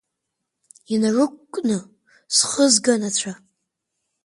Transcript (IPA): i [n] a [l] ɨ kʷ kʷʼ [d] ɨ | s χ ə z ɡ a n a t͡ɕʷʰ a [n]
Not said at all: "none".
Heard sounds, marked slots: n, r, n, none

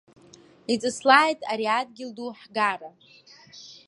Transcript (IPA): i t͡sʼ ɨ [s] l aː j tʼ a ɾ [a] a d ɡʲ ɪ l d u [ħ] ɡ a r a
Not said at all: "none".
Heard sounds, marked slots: s, i, ħ

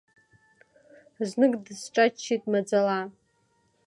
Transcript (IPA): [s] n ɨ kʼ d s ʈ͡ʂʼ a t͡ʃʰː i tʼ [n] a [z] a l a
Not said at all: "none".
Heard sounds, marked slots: z, m, d͡z

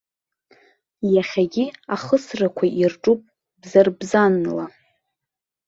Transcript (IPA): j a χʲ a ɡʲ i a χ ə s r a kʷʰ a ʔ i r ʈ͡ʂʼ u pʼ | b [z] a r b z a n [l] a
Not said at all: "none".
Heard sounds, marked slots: z, l

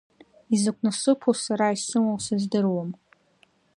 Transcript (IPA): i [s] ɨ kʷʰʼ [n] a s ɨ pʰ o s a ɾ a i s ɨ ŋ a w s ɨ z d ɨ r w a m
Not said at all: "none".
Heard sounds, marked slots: z, n

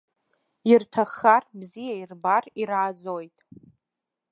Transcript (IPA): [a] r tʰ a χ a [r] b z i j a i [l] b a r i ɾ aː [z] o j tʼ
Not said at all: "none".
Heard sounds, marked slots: i, r, r, d͡z

